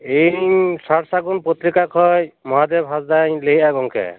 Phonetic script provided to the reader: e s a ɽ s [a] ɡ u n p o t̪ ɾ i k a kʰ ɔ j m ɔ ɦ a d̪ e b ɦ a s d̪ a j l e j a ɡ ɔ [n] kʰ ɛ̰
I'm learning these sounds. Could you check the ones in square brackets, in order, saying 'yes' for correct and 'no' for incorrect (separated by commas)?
yes, no